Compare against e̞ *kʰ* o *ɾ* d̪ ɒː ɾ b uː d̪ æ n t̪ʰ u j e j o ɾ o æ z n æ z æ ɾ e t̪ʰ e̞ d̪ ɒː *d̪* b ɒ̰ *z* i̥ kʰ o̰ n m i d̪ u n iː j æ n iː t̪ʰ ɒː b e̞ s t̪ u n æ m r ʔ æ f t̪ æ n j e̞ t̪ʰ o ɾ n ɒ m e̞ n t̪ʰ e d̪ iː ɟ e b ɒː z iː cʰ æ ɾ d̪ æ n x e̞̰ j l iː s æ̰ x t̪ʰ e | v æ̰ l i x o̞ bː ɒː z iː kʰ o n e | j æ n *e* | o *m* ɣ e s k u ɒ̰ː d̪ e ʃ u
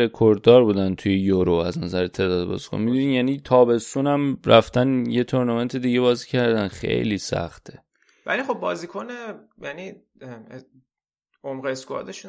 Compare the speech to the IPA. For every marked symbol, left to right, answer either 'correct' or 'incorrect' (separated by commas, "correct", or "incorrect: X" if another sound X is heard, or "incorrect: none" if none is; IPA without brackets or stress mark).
correct, correct, correct, correct, incorrect: i, correct